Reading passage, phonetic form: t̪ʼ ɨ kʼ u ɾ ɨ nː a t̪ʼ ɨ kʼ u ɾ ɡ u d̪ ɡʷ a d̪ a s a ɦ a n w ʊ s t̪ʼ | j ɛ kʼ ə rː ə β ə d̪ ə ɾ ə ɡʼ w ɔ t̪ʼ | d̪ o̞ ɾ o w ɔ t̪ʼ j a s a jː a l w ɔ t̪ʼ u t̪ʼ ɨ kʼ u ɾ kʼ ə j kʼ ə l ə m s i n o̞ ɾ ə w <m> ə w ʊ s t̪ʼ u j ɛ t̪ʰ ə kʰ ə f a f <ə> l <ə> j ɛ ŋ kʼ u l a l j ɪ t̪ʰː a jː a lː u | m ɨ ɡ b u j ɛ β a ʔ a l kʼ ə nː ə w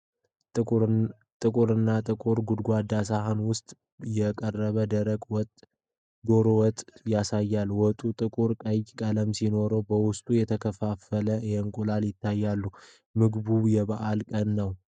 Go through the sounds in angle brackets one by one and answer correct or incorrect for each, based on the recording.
incorrect, correct, correct

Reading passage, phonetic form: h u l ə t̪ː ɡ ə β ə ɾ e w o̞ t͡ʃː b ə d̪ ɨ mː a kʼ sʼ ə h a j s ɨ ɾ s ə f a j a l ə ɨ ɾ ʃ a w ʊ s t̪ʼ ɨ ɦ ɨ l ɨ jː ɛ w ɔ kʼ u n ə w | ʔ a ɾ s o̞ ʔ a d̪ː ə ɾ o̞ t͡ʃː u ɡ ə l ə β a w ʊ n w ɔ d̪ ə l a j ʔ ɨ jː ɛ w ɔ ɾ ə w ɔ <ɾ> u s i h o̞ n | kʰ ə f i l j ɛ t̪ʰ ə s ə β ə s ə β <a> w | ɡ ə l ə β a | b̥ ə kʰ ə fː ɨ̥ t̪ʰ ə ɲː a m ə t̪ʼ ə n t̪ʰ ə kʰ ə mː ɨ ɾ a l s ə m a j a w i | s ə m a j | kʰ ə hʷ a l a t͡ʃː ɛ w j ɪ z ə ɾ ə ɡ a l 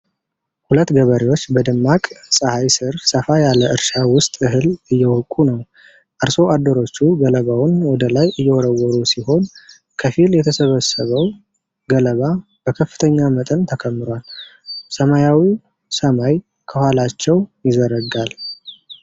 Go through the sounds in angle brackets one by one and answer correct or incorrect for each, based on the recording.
correct, incorrect

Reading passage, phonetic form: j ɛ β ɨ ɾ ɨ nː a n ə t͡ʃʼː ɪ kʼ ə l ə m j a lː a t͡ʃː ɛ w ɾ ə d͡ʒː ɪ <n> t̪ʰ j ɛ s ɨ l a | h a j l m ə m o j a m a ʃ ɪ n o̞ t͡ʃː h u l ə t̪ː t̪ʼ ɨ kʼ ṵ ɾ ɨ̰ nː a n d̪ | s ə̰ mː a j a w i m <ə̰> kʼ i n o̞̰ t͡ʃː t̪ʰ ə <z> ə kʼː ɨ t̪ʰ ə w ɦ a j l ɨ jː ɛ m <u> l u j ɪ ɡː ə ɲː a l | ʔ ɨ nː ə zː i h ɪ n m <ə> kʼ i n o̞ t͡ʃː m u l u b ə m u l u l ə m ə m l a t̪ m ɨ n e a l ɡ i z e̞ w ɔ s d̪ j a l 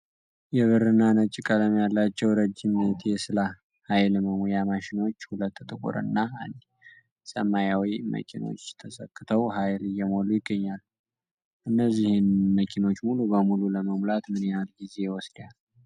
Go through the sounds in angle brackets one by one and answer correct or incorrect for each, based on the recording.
incorrect, correct, incorrect, incorrect, correct

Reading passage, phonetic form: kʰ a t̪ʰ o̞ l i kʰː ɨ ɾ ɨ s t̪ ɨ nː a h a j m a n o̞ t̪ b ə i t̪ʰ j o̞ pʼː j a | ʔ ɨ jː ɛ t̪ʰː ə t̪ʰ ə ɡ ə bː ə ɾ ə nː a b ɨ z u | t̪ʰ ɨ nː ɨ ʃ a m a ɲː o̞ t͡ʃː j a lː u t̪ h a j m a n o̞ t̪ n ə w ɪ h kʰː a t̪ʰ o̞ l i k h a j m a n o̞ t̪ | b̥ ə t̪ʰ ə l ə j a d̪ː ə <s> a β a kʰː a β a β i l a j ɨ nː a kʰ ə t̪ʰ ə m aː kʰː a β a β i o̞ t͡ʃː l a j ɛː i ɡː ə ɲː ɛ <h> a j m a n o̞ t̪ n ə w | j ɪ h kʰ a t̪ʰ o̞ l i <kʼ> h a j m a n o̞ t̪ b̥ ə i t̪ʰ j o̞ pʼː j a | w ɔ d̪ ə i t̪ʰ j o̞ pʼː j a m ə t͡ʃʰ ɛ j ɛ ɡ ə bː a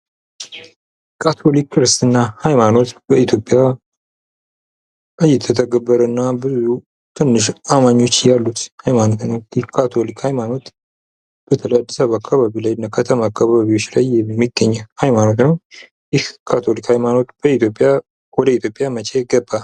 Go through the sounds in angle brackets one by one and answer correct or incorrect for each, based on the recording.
correct, correct, incorrect

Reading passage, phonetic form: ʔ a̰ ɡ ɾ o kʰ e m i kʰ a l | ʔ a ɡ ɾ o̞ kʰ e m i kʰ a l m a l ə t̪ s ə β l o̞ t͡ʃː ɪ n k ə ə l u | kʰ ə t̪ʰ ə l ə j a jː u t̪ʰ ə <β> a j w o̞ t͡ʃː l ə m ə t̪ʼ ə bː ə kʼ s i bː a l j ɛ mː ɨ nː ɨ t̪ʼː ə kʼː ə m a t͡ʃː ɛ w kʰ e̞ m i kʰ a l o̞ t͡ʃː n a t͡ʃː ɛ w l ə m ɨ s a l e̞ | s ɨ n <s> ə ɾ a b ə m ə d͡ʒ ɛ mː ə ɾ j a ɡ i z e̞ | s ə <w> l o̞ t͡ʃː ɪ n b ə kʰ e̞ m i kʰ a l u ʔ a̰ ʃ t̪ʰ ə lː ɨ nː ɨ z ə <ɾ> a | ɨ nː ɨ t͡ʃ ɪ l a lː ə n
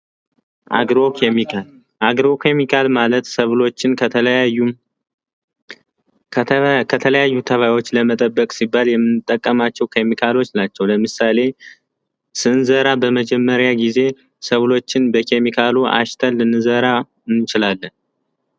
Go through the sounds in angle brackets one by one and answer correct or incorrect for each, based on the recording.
correct, incorrect, incorrect, correct

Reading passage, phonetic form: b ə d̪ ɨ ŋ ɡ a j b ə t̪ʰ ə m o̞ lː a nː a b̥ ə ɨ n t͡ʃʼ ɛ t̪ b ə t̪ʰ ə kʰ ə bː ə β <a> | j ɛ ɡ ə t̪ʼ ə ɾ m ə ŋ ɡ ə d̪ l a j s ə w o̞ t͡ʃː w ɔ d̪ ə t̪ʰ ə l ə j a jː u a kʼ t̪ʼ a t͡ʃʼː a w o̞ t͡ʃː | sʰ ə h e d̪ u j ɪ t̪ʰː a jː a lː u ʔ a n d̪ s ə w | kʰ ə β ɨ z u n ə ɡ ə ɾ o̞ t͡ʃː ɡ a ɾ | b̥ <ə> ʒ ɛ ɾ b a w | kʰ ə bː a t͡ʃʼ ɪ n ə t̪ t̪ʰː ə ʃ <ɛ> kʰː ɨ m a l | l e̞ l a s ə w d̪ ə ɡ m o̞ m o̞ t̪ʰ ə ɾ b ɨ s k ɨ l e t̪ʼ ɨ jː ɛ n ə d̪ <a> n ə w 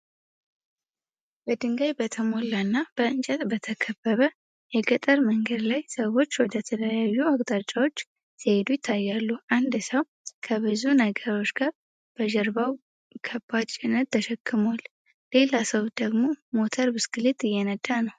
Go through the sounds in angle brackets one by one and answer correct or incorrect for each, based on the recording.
incorrect, correct, correct, correct

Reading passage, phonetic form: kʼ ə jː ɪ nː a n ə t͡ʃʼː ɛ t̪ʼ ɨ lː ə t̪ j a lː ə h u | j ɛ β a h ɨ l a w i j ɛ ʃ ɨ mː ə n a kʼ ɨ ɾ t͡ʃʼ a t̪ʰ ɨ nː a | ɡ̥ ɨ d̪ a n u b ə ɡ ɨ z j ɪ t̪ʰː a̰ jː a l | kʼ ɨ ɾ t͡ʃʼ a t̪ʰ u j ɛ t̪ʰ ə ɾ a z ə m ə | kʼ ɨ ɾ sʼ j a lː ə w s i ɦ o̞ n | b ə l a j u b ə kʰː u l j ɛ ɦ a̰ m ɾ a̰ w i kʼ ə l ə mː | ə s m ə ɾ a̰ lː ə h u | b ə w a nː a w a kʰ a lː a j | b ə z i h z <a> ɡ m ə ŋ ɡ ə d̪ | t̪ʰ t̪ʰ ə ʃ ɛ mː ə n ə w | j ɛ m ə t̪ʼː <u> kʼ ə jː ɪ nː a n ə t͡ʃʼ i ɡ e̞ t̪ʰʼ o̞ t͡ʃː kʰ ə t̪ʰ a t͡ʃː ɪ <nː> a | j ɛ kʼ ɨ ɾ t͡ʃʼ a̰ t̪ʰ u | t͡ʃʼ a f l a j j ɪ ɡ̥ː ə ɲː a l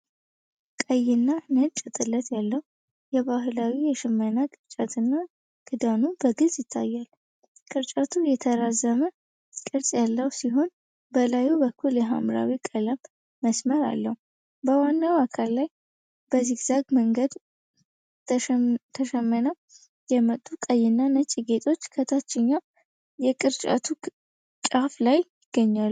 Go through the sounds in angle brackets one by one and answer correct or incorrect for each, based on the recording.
correct, correct, incorrect

